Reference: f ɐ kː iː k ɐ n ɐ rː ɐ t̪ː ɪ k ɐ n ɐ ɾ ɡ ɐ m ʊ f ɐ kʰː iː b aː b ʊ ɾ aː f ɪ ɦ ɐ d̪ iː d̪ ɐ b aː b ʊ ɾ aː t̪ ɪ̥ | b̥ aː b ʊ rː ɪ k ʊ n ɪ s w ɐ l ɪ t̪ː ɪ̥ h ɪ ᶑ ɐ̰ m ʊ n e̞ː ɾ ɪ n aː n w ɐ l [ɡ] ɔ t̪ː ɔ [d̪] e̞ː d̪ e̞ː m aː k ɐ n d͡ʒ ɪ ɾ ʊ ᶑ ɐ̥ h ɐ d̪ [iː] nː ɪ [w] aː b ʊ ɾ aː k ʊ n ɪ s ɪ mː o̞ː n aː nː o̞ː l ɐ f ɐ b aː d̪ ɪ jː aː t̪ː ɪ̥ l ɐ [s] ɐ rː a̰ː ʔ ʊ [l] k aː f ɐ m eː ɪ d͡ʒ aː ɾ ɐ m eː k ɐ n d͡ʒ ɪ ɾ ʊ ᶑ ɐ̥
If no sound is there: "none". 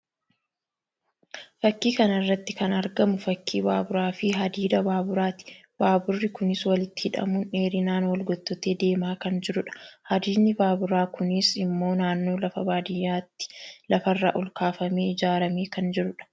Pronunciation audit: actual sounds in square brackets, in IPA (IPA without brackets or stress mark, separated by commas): ɡ, t̪, iː, b, f, l